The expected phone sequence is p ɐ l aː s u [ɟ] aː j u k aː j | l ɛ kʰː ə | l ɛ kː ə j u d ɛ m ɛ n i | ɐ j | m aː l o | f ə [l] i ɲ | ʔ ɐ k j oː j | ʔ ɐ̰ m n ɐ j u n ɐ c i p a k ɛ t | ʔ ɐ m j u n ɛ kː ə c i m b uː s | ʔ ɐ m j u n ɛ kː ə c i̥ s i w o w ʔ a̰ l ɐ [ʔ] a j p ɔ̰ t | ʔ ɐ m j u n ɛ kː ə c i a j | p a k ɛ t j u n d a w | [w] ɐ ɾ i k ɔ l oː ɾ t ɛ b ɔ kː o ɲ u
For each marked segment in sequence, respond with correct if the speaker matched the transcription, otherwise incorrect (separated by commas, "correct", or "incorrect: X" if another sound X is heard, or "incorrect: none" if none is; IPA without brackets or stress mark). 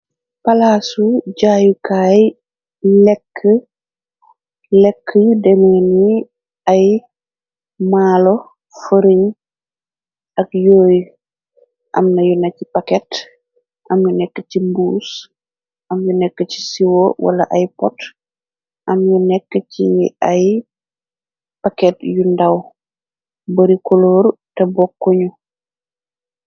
correct, incorrect: ɾ, correct, incorrect: b